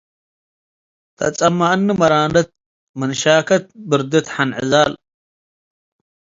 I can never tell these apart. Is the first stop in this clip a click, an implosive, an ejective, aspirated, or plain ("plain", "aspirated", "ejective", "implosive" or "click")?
aspirated